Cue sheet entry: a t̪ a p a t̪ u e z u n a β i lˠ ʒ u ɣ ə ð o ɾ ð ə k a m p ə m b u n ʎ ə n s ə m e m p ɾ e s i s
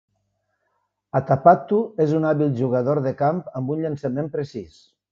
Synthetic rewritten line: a t̪ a p a t̪ u e z u n a β i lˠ ʒ u ɣ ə ð o ɾ ð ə k a m p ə m b u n ʎ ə n s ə m e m p ɾ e s i s